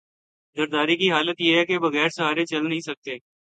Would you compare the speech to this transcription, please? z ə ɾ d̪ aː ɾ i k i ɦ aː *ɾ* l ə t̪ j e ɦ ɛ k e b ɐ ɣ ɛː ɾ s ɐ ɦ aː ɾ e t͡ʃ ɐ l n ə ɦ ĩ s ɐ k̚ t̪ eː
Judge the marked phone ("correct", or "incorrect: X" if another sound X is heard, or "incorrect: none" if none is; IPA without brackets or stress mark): incorrect: none